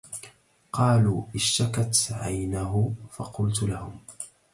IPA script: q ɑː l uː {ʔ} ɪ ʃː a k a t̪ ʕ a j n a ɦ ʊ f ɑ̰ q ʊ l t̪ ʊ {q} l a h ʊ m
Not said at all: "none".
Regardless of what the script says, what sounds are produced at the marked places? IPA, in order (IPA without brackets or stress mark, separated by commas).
ʔ, none